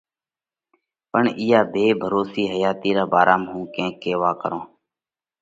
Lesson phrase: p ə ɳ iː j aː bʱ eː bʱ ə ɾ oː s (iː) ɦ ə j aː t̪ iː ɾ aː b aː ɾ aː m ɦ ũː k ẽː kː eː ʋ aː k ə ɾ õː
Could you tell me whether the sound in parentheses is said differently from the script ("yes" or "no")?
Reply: no